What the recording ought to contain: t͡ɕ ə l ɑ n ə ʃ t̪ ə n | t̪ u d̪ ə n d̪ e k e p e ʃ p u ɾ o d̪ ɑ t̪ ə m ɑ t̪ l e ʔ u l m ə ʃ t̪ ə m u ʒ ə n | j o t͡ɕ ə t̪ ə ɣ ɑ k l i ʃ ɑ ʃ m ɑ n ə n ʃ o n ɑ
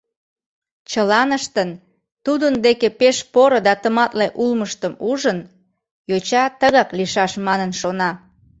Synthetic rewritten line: t͡ɕ ə l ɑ n ə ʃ t̪ ə n | t̪ u d̪ ə n d̪ e k e p e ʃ p o ɾ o d̪ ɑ t̪ ə m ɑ t̪ l e ʔ u l m ə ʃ t̪ ə m u ʒ ə n | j o t͡ɕ ɑ t̪ ə ɣ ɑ k l i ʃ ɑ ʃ m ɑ n ə n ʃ o n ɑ

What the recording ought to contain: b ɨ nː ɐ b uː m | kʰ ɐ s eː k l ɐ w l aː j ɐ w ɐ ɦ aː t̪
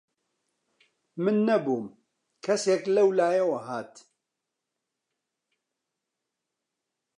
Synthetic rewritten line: m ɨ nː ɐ b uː m | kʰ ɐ s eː k l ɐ w l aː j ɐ w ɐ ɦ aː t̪

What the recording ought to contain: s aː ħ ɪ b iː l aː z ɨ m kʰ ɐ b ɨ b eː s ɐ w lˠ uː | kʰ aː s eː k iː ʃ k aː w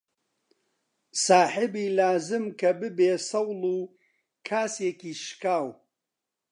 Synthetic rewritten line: s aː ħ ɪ b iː l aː z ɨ m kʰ ɐ b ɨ b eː s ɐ w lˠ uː | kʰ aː s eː k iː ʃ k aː w

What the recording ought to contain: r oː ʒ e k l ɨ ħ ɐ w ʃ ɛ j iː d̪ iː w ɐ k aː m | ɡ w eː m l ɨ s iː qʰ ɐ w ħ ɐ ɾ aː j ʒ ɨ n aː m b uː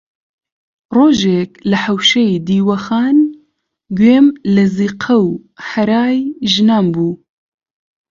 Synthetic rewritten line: r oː ʒ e k l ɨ ħ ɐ w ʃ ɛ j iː d̪ iː w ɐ x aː n | ɡ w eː m l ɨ z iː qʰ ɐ w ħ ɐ ɾ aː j ʒ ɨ n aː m b uː

